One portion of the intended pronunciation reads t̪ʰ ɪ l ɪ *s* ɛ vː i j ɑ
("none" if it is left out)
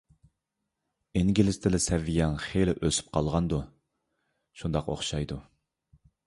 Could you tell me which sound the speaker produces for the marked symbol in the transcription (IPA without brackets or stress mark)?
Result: s